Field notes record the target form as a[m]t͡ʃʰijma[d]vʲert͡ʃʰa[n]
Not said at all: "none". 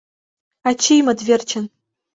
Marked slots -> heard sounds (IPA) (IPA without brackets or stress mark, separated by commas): none, d, n